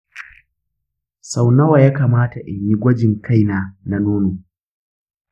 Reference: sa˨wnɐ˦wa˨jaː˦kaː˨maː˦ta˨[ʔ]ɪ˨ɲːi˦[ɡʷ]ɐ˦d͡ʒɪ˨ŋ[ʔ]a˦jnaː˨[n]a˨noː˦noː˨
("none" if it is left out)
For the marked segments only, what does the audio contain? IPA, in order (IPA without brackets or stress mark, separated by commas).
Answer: ʔ, ɡʷ, k, n